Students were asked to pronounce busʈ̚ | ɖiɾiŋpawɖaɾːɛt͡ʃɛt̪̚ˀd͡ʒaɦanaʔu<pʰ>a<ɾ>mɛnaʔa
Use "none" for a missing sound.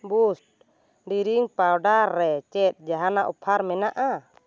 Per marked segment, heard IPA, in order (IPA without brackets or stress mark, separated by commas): pʰ, ɾ